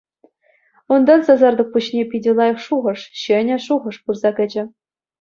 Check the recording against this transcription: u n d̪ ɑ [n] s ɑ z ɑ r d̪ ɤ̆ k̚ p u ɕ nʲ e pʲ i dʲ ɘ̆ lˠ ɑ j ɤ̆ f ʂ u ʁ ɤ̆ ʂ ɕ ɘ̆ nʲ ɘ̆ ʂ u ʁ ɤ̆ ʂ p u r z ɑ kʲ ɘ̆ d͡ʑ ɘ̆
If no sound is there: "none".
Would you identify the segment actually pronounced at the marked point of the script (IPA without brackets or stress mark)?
n